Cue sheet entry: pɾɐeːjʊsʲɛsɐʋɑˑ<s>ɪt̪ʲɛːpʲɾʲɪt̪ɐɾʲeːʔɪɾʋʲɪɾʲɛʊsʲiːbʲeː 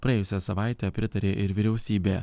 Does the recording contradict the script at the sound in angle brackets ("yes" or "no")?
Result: yes